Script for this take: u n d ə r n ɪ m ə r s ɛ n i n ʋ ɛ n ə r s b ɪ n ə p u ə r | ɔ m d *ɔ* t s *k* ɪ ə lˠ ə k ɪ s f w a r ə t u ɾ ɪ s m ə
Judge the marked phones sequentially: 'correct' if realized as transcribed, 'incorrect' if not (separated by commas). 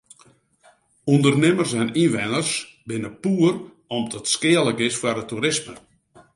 correct, correct